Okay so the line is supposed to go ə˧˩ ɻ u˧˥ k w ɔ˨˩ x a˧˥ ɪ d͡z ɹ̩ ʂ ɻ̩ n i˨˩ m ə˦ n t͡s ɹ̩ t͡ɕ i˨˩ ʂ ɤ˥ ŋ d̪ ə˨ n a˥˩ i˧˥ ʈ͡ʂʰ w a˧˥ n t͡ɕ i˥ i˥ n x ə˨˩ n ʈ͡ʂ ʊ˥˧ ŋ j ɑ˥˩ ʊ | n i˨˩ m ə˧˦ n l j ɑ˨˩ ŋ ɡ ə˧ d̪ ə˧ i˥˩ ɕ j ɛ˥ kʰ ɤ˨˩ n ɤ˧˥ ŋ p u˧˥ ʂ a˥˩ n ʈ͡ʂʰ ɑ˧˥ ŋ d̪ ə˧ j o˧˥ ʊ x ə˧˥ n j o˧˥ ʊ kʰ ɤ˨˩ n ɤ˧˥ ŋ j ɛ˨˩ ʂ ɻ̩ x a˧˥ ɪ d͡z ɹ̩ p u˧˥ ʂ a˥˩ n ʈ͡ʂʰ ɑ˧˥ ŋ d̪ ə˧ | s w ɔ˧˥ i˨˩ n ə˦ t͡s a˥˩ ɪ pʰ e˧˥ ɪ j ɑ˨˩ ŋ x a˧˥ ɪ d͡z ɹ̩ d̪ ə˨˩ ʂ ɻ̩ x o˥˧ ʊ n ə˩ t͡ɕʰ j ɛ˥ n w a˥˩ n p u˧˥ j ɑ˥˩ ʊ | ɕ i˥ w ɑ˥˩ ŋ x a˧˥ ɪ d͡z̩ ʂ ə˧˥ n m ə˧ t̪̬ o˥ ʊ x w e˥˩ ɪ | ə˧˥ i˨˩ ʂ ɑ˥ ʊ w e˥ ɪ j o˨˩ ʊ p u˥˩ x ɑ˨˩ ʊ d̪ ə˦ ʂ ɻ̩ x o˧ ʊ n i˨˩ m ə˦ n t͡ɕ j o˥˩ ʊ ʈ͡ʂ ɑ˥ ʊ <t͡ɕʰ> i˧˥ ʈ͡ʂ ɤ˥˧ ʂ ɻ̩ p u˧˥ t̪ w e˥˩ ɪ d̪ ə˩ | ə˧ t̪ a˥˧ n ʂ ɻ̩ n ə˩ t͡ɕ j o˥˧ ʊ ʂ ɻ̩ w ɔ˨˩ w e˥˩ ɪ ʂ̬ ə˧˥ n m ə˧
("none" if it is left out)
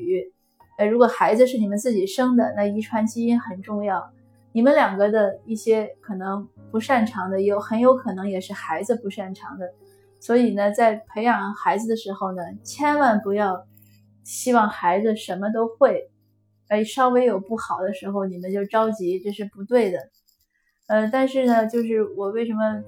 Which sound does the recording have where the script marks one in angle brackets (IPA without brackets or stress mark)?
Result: t͡ɕ